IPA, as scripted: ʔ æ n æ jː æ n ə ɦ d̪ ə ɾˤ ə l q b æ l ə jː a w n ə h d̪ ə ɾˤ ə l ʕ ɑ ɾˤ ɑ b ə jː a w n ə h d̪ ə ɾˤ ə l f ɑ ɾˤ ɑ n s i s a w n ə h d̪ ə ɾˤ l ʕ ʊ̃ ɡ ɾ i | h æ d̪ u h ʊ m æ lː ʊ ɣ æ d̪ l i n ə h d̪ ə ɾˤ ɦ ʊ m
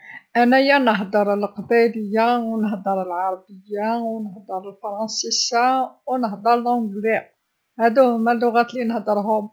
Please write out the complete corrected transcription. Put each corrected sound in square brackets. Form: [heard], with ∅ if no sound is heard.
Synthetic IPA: ʔ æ n æ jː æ n ə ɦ d̪ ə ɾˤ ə l q b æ l ə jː a w n ə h d̪ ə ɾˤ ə l ʕ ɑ ɾˤ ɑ b ə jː a w n ə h d̪ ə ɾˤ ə l f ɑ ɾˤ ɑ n s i s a w n ə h d̪ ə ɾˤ l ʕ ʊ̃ ɡ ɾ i | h æ d̪ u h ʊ m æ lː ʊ ɣ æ [t̪] l i n ə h d̪ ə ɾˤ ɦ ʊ m

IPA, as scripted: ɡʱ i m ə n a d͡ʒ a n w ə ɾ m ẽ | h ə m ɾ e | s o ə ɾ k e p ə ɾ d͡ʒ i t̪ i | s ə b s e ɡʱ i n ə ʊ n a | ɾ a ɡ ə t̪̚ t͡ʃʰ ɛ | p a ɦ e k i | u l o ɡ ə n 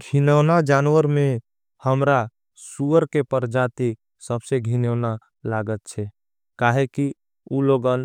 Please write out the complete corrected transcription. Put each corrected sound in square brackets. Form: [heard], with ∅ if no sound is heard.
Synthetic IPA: ɡʱ i [n] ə n a d͡ʒ a n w ə ɾ m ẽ | h ə m ɾ [a] | s [u] ə ɾ k e p ə ɾ d͡ʒ [a] t̪ i | s ə b s e ɡʱ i n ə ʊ n a | [l] a ɡ ə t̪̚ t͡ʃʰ ɛ | [k] a ɦ e k i | u l o ɡ ə n

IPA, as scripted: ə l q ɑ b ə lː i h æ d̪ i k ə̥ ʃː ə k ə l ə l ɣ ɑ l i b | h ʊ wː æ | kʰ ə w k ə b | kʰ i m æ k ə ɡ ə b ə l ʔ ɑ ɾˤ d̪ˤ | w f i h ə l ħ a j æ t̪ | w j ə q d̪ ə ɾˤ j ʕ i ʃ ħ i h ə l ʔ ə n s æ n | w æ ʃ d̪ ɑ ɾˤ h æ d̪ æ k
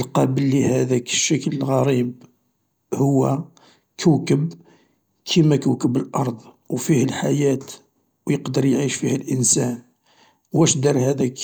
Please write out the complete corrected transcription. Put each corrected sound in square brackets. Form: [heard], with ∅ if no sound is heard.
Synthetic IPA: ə l q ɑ b ə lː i h æ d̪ [æ] k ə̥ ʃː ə k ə l ə l ɣ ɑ [ɾ] i b | h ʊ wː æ | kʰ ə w k ə b | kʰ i m æ k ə [k] ə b ə l ʔ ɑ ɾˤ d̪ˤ | w f i h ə l ħ a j æ t̪ | w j ə q d̪ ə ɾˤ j ʕ i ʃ [f] i h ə l ʔ ə n s æ n | w æ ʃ d̪ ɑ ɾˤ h æ d̪ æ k

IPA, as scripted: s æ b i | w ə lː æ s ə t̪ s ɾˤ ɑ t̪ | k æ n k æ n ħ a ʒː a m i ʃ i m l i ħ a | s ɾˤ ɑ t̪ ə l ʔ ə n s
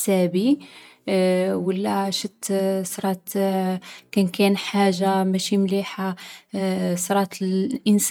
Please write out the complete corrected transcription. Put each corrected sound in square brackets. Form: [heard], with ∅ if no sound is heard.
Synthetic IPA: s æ b i | w ə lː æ [ʃ] ə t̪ s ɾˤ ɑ t̪ | k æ n k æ n ħ a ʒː a m [æ] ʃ i m l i ħ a | s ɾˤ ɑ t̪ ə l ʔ ə n s

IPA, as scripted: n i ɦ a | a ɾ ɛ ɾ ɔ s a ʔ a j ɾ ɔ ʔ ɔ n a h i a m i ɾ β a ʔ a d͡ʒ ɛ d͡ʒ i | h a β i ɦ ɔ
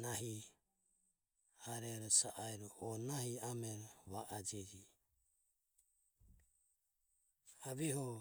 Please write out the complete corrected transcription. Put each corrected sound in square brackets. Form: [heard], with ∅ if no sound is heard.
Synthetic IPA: n [a] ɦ [i] | a ɾ ɛ ɾ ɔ s a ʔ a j ɾ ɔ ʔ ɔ n a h i a m [ɛ] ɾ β a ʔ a d͡ʒ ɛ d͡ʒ i | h a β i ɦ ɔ

